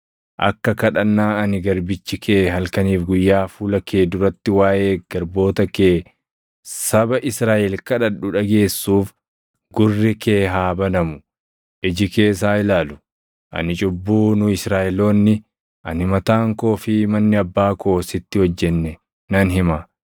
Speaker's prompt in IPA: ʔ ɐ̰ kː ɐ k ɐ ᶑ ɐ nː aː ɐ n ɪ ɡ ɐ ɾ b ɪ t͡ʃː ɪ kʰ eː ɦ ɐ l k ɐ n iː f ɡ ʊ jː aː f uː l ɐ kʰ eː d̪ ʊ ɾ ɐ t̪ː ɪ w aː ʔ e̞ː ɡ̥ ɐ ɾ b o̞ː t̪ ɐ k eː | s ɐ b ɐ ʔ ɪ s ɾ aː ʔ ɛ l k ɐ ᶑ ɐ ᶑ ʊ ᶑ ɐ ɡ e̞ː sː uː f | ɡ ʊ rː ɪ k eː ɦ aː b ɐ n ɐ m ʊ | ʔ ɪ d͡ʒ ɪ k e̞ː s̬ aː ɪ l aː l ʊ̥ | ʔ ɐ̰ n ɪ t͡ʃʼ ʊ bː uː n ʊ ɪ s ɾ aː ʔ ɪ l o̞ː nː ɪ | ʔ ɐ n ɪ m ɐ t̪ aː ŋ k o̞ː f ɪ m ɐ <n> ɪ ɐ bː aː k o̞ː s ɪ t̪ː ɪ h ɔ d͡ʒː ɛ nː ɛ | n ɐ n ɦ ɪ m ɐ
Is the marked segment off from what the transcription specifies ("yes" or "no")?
yes